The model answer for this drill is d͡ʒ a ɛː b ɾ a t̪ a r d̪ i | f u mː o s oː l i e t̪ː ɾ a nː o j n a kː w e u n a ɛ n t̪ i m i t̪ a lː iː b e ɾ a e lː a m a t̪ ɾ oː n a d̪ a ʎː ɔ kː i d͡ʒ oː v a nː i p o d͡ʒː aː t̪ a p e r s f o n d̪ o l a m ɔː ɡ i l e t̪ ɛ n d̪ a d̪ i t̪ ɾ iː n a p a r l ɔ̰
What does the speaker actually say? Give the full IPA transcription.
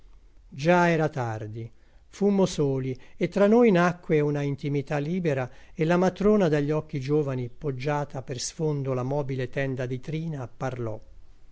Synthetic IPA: d͡ʒ a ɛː ɾ a t̪ a r d̪ i | f u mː o s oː l i e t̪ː ɾ a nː o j n a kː w e u n a i n t̪ i m i t̪ a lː iː b e ɾ a e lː a m a t̪ ɾ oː n a d̪ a ʎː ɔ kː i d͡ʒ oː v a n i p o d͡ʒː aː t̪ a p e r s f o n d̪ o l a m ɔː b i l e t̪ ɛ n d̪ a d̪ i t̪ ɾ iː n a p a r l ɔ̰

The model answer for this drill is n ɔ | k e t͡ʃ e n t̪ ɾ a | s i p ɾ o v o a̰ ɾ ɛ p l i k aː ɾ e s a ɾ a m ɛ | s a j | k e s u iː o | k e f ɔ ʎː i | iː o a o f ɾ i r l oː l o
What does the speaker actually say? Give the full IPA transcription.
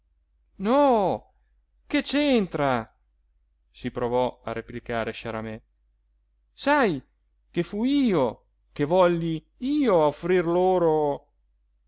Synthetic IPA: n ɔ | k e t͡ʃ e n t̪ ɾ a | s i p ɾ o v ɔ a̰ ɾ e p l i k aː ɾ e ʃ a ɾ a m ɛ | s a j | k e f u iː o | k e v ɔ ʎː i | iː o a o f ɾ i r l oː ɾ o

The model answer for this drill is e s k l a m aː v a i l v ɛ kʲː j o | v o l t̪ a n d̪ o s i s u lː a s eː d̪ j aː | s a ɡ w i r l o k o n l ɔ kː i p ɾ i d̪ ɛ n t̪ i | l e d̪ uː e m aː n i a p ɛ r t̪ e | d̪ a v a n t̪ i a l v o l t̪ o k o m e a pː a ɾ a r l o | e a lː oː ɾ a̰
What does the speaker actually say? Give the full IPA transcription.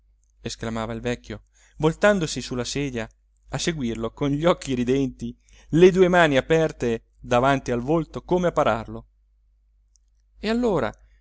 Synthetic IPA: e s k l a m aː v a i l v ɛ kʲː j o | v o l t̪ a n d̪ o s i s u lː a s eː d̪ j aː | s e ɡ w i r l o k o n ʎ ɔ kː i ɾ i d̪ ɛ n t̪ i | l e d̪ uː e m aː n i a p ɛ r t̪ e | d̪ a v a n t̪ i a l v o l t̪ o k o m e a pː a ɾ a r l o | e a lː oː ɾ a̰

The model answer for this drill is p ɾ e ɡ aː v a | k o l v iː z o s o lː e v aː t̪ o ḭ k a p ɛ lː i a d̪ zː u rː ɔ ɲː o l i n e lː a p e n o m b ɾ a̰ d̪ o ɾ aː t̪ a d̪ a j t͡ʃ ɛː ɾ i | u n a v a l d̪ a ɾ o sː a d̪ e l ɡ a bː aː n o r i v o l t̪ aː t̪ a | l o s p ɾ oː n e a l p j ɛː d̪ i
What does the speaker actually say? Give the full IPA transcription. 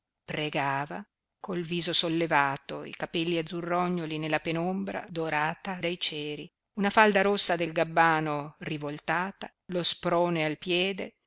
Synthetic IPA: p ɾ e ɡ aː v a | k o l v iː z o s o lː e v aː t̪ o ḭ k a p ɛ lː i a d̪ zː u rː ɔ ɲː o l i n e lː a p e n o m b ɾ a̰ d̪ o ɾ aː t̪ a d̪ a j t͡ʃ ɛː ɾ i | u n a f a l d̪ a ɾ o sː a d̪ e l ɡ a bː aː n o r i v o l t̪ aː t̪ a | l o s p ɾ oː n e a l p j ɛː d̪ e

